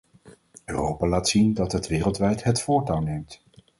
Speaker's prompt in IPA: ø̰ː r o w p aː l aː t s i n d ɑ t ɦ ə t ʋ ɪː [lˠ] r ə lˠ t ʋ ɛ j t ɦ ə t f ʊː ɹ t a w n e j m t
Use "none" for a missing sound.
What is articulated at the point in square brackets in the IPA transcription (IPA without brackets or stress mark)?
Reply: none